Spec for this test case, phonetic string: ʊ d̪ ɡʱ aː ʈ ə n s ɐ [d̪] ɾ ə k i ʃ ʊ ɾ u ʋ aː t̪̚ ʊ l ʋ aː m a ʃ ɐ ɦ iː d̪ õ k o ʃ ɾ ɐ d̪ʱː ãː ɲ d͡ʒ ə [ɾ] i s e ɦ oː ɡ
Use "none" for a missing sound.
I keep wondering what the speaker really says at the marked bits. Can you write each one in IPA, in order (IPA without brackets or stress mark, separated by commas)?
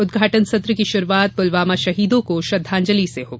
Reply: t̪, l